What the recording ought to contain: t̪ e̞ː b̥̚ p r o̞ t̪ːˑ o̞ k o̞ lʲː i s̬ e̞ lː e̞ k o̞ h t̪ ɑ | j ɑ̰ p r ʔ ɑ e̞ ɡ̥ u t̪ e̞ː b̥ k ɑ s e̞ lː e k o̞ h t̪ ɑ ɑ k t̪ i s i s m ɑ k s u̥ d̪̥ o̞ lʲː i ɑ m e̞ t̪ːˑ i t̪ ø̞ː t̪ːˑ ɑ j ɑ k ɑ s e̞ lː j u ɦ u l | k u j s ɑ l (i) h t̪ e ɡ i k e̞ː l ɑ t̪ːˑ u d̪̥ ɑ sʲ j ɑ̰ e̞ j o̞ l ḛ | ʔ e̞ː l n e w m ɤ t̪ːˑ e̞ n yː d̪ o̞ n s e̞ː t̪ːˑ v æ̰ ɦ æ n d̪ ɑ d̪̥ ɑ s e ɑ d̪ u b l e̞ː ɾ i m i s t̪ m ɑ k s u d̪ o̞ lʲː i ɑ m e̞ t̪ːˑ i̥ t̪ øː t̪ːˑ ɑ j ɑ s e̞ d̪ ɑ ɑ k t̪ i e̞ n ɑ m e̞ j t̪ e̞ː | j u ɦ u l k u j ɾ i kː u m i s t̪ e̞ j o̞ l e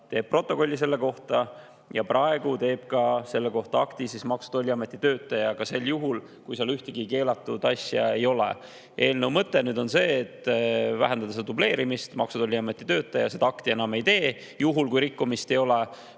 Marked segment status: incorrect: y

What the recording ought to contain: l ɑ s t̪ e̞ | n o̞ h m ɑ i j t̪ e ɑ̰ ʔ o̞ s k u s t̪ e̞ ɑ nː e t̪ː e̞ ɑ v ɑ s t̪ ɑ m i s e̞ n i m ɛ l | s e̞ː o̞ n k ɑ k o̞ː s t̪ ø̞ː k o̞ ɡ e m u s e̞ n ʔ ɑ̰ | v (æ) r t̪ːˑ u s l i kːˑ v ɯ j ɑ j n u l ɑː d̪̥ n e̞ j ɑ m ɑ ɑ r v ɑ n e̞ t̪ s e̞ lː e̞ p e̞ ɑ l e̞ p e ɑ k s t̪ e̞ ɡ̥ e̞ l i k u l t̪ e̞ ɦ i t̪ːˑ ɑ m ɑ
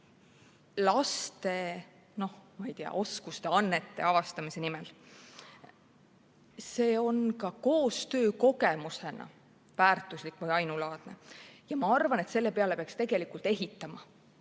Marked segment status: incorrect: æː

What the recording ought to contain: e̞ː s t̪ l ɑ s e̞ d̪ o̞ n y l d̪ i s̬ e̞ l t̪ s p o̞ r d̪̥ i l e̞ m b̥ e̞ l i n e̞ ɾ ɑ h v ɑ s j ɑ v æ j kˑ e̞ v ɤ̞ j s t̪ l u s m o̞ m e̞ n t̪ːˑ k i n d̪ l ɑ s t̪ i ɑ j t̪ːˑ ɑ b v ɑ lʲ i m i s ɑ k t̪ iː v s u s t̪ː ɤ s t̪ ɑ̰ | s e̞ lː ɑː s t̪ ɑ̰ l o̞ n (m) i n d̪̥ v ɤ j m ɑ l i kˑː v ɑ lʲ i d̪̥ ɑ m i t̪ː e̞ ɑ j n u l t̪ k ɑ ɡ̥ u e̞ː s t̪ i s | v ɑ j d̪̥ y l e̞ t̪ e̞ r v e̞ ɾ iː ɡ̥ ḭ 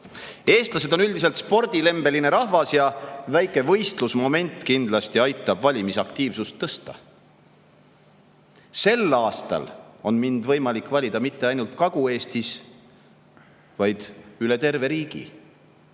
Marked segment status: correct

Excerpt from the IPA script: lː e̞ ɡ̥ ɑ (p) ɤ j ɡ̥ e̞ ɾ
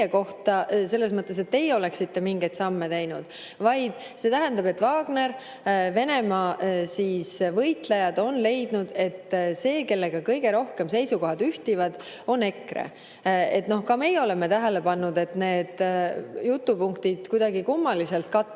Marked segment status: incorrect: k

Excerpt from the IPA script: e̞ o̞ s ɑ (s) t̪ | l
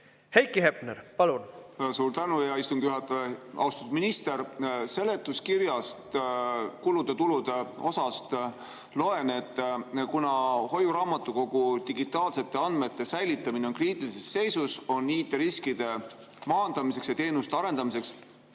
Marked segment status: correct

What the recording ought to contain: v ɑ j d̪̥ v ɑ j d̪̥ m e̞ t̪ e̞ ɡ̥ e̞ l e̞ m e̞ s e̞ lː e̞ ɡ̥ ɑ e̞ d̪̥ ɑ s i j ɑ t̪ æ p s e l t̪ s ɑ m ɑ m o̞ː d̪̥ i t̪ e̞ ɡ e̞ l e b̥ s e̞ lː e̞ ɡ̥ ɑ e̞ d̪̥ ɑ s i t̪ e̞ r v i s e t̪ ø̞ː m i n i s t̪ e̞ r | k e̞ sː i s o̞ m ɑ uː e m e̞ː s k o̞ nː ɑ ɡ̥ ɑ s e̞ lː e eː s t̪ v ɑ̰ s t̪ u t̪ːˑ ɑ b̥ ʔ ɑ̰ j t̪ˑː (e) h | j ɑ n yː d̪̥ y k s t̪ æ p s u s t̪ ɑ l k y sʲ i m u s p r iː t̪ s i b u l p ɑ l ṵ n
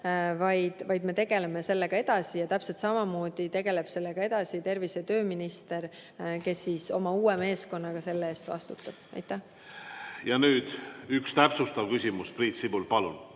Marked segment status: incorrect: æ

